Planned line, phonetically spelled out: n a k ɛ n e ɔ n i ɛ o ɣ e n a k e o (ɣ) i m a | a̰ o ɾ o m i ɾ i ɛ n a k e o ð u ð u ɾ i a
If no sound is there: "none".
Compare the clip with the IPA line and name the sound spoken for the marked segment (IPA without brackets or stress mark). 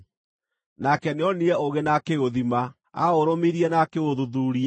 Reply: ð